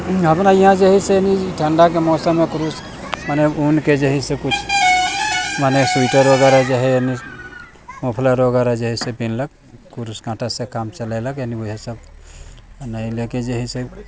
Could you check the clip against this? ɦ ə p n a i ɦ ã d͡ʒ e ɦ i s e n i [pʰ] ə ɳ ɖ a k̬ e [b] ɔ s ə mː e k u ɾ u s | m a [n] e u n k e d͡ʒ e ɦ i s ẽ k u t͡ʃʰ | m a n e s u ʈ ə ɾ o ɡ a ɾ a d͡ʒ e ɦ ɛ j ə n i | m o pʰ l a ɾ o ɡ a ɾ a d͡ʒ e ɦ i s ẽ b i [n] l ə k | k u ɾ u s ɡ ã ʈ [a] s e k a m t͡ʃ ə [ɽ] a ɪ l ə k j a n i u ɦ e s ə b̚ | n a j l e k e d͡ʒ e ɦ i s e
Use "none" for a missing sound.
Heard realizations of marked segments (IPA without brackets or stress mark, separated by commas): ʈʰ, m, n, n, a, l